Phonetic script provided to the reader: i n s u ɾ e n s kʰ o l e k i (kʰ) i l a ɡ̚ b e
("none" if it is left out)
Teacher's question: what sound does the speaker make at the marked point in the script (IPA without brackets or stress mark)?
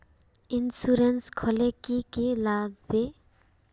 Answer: k